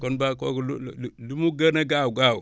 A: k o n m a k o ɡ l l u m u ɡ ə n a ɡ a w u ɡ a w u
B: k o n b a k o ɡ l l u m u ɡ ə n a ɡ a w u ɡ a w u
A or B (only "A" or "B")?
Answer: B